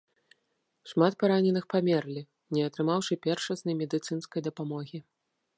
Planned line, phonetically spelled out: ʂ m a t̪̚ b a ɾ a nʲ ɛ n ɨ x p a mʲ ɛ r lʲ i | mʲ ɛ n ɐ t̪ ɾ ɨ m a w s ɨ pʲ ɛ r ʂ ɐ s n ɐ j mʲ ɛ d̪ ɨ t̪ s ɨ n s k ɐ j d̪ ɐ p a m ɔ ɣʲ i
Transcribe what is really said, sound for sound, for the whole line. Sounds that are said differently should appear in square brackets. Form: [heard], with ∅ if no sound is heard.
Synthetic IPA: ʂ m a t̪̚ [p] a ɾ a nʲ ɛ n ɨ x p a mʲ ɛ r lʲ i | [nʲ] ɛ [∅] ɐ t̪ ɾ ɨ m a w [ʂ] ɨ pʲ ɛ r ʂ ɐ s n ɐ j mʲ ɛ d̪ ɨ t̪ s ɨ n s k ɐ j d̪ ɐ p a m ɔ ɣʲ i

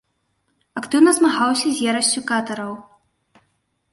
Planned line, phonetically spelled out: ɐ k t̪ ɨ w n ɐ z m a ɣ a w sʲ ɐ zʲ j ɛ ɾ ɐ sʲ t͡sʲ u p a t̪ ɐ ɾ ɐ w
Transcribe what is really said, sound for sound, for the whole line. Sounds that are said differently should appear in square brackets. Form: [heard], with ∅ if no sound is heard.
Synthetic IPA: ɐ k t̪ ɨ w n ɐ z m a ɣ a w sʲ ɐ zʲ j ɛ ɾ ɐ sʲ t͡sʲ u [k] a t̪ ɐ ɾ ɐ w

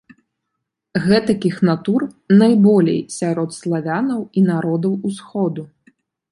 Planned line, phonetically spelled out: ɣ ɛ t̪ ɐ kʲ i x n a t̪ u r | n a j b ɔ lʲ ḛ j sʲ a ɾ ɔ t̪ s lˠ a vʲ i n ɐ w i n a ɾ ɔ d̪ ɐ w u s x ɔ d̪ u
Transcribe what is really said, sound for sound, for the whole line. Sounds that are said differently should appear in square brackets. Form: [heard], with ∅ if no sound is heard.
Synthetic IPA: ɣ ɛ t̪ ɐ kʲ i x n a t̪ u r | n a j b ɔ lʲ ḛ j sʲ a ɾ ɔ t̪ s lˠ a vʲ [a] n ɐ w i n a ɾ ɔ d̪ ɐ w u s x ɔ d̪ u

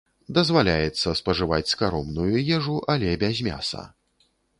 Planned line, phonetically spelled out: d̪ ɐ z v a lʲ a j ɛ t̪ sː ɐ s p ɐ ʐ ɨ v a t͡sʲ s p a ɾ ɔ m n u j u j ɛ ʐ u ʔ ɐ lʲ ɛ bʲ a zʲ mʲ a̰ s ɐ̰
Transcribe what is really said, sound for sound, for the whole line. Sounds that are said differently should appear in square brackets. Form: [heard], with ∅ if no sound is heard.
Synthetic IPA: d̪ ɐ z v a lʲ a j ɛ t̪ sː ɐ s p ɐ ʐ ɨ v a t͡sʲ s [k] a ɾ ɔ m n u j u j ɛ ʐ u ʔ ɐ lʲ ɛ bʲ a zʲ mʲ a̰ s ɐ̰

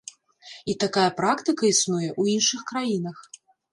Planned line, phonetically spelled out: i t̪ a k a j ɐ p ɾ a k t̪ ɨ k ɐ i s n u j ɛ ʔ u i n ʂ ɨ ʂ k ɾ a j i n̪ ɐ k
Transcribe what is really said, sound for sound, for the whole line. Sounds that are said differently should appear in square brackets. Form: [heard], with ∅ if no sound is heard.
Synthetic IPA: i t̪ a k a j ɐ p ɾ a k t̪ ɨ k ɐ i s n u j ɛ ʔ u i n ʂ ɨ [x] k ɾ a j i n̪ ɐ [x]

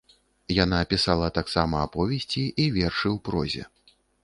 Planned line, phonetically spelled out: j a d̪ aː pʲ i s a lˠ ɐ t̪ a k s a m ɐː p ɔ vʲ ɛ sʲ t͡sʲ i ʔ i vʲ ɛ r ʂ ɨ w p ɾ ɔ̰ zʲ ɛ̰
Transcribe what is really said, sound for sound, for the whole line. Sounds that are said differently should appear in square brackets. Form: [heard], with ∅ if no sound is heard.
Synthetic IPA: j a [n̪] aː pʲ i s a lˠ ɐ t̪ a k s a m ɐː p ɔ vʲ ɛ sʲ t͡sʲ i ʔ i vʲ ɛ r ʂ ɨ w p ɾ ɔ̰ zʲ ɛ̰

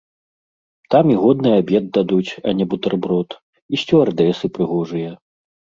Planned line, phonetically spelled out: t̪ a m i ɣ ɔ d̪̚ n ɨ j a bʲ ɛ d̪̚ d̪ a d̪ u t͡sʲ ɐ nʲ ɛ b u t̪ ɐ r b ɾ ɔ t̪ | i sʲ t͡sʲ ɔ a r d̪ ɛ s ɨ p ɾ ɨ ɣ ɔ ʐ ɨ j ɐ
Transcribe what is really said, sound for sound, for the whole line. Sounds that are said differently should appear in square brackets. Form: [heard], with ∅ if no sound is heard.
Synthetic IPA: t̪ a m i ɣ ɔ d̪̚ n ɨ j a bʲ ɛ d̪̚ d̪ a d̪ u t͡sʲ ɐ nʲ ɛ b u t̪ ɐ r b ɾ ɔ t̪ | i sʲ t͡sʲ ɔ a r d̪ ɛ s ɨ p ɾ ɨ ɣ ɔ ʐ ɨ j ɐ

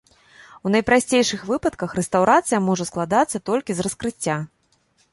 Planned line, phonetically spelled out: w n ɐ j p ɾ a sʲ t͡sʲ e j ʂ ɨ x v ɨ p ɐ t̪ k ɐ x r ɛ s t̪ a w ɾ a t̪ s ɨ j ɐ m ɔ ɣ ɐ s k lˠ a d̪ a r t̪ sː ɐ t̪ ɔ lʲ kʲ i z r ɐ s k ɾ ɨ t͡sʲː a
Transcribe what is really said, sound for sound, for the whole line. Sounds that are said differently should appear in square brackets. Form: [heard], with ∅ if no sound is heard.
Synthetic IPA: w n ɐ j p ɾ a sʲ t͡sʲ e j ʂ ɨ x v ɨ p ɐ t̪ k ɐ x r ɛ s t̪ a w ɾ a t̪ s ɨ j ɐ m ɔ [ʐ] ɐ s k lˠ a d̪ a [∅] t̪ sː ɐ t̪ ɔ lʲ kʲ i z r ɐ s k ɾ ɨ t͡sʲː a

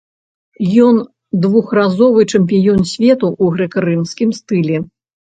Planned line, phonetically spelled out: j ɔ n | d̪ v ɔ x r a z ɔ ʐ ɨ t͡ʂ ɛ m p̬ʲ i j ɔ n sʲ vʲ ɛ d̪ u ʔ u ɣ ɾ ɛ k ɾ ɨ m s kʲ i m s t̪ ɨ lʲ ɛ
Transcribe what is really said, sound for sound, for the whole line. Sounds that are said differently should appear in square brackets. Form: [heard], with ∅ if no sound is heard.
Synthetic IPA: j ɔ n | d̪ v [u] x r a z ɔ [v] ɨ t͡ʂ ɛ m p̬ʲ i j ɔ n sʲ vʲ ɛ [t̪] u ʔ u ɣ ɾ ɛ k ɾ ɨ m s kʲ i m s t̪ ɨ lʲ ɛ

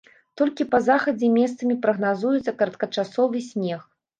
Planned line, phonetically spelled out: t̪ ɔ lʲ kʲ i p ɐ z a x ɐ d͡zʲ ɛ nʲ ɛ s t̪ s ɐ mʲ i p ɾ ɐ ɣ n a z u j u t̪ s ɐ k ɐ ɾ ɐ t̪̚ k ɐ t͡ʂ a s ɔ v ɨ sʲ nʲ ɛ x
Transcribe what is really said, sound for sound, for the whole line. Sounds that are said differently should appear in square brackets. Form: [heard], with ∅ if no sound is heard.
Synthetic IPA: t̪ ɔ lʲ kʲ i p ɐ z a x ɐ d͡zʲ ɛ [mʲ] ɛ s t̪ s ɐ mʲ i p ɾ ɐ ɣ n a z u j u t̪ s ɐ k ɐ ɾ ɐ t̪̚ k ɐ t͡ʂ a s ɔ v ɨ sʲ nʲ ɛ x

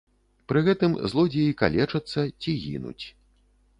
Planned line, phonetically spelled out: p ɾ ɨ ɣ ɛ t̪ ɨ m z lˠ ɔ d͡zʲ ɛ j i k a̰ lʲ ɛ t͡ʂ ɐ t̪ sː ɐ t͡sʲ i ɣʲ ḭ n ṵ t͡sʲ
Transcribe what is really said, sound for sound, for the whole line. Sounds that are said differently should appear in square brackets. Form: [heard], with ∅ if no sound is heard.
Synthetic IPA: p ɾ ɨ ɣ ɛ t̪ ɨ m z lˠ ɔ d͡zʲ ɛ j i k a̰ lʲ ɛ t͡ʂ ɐ t̪ sː ɐ t͡sʲ i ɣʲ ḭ n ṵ t͡sʲ

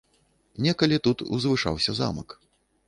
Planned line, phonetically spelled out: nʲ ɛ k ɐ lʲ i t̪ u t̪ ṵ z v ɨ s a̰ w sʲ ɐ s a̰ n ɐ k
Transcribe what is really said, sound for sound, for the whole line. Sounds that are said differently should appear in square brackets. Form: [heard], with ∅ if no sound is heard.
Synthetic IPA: nʲ ɛ k ɐ lʲ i t̪ u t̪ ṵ z v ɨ [ʂ] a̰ w sʲ ɐ [z] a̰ [m] ɐ k

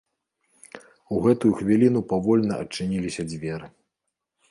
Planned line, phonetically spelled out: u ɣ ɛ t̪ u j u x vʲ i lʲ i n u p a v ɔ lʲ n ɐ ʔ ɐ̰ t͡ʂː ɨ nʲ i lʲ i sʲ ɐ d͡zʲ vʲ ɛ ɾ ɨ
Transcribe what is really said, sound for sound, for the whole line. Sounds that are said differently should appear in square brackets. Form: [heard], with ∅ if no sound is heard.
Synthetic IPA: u ɣ ɛ t̪ u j u x vʲ i lʲ i n u p a v ɔ lʲ n ɐ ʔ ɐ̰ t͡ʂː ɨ nʲ i lʲ i sʲ ɐ d͡zʲ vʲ ɛ ɾ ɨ

